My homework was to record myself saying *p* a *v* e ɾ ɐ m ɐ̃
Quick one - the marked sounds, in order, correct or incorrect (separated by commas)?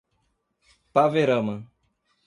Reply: correct, correct